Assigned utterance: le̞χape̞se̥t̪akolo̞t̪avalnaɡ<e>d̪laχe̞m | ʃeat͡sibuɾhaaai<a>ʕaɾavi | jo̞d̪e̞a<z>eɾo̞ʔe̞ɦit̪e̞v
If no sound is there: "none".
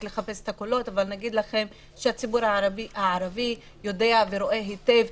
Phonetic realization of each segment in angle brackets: i, a, v

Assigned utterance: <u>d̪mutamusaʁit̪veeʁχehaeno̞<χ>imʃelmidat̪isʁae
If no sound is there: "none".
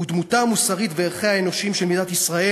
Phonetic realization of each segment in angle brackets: u, ʃ

